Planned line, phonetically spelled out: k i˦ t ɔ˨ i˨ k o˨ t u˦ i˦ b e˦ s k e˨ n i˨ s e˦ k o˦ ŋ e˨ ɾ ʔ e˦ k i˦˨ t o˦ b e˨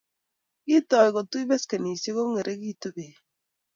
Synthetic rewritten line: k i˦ t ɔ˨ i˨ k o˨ t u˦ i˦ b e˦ s k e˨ n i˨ s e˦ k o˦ ŋ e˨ ɾ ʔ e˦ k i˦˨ t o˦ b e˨